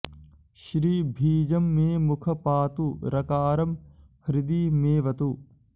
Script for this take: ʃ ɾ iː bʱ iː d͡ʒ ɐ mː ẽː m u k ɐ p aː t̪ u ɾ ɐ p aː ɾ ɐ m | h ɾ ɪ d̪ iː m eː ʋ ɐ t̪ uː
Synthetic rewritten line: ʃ ɾ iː bʱ iː d͡ʒ ɐ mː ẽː m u kʰ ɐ p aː t̪ u ɾ ɐ k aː ɾ ɐ m | h ɾ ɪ d̪ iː m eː ʋ ɐ t̪ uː